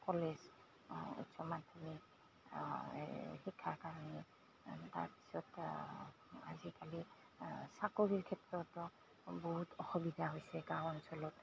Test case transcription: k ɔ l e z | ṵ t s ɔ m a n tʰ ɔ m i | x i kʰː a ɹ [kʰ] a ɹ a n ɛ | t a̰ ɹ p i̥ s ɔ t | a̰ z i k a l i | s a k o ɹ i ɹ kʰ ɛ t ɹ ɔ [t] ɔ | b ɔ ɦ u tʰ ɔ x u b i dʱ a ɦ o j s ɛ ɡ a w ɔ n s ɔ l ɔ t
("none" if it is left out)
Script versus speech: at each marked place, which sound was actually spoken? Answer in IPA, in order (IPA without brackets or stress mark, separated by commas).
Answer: k, t